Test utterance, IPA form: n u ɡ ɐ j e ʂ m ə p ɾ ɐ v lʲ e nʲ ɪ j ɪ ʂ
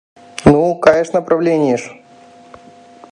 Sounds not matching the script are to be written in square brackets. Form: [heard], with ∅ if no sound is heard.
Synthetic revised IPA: n u [k] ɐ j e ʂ [n] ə p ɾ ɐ v lʲ e nʲ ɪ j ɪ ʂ

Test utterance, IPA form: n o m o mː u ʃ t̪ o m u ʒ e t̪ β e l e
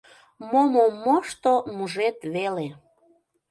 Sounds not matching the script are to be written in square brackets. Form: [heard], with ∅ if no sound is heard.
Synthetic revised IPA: [m] o m o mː [o] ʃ t̪ o m u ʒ e t̪ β e l e

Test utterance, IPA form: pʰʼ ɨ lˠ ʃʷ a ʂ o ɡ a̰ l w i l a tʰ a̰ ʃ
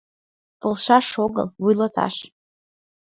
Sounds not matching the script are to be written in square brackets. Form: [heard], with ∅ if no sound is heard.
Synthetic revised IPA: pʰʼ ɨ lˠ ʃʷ a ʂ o ɡ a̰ l w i l a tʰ a̰ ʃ

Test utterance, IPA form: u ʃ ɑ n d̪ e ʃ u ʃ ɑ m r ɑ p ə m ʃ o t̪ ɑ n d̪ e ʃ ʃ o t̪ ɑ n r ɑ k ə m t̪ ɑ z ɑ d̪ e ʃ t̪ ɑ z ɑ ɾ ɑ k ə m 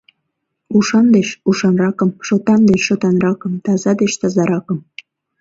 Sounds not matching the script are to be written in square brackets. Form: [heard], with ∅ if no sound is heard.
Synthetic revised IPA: u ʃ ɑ n d̪ e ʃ u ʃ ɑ [n] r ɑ [k] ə m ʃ o t̪ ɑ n d̪ e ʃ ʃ o t̪ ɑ n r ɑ k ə m t̪ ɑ z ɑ d̪ e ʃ t̪ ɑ z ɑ ɾ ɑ k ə m

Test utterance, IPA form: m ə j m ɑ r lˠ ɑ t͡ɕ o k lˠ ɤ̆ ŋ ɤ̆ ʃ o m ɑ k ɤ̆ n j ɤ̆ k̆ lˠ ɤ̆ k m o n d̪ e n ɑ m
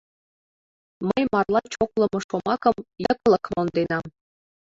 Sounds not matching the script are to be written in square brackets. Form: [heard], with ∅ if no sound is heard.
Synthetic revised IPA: m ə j m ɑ r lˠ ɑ t͡ɕ o k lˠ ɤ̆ [m] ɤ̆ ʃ o m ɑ k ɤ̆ [m] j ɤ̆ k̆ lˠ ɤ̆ k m o n d̪ e n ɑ m

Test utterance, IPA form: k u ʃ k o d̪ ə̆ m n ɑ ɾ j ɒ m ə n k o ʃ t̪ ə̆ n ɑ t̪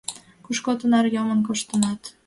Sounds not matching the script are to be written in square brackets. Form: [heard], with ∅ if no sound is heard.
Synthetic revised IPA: k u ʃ k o [t̪] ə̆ [∅] n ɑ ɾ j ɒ m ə n k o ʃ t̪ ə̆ n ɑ t̪

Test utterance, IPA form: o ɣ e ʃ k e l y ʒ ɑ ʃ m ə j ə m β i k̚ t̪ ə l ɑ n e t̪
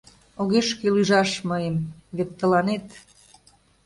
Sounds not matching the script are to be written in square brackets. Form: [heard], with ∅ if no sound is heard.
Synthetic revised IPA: o ɣ e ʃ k e l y ʒ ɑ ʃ m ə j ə m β [e] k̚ t̪ ə l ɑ n e t̪

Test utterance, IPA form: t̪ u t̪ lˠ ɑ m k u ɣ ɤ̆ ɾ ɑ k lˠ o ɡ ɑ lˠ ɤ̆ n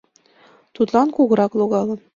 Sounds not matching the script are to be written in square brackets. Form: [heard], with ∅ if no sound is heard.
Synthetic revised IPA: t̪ u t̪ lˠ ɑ [n] k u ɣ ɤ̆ ɾ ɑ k lˠ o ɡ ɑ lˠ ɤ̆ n

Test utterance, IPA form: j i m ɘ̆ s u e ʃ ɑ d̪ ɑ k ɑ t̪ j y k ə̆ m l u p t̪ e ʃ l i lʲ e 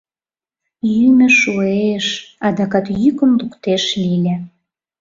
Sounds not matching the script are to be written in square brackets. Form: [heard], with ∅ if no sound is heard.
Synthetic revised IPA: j [y] m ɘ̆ [ʃ] u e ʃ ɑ d̪ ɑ k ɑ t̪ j y k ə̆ m l u [k] t̪ e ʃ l i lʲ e

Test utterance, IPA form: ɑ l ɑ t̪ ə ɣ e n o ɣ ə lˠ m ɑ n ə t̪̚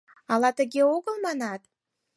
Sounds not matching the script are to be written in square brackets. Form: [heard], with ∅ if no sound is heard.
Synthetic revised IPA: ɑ l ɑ t̪ ə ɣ e [∅] o ɣ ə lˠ m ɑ n [ɑ] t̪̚

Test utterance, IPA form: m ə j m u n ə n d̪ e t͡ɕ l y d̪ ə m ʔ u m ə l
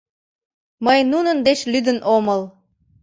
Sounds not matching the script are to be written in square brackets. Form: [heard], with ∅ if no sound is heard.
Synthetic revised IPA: m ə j [n] u n ə n d̪ e t͡ɕ l y d̪ ə [n] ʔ [o] m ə l

